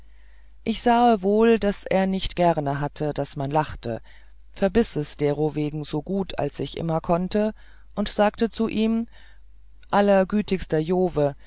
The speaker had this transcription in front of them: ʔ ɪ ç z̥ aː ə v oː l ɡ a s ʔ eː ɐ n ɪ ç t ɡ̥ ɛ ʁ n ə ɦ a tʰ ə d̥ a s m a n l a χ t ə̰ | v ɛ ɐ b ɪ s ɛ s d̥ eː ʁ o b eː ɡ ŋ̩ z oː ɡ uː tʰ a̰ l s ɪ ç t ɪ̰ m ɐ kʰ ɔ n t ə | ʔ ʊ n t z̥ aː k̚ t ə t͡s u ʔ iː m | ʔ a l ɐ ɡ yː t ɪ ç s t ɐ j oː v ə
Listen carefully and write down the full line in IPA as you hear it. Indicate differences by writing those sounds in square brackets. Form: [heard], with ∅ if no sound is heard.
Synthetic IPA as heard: ʔ ɪ ç z̥ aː ə v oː l [d] a s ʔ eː ɐ n ɪ ç t ɡ̥ ɛ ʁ n ə ɦ a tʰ ə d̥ a s m a n l a χ t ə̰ | [f] ɛ ɐ b ɪ s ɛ s d̥ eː ʁ o [v] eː ɡ ŋ̩ z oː ɡ uː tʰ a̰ l s ɪ ç [ʔ] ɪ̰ m ɐ kʰ ɔ n t ə | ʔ ʊ n t z̥ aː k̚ t ə t͡s u ʔ iː m | ʔ a l ɐ ɡ yː t ɪ ç s t ɐ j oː v ə